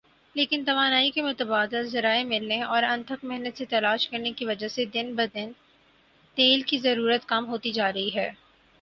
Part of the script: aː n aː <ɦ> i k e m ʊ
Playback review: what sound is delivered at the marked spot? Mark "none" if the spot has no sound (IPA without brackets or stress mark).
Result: none